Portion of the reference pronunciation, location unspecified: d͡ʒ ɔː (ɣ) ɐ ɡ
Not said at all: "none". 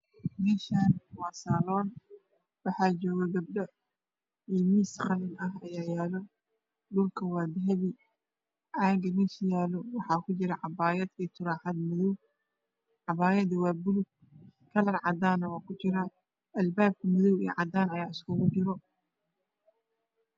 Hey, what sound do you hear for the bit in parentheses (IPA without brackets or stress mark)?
ɣ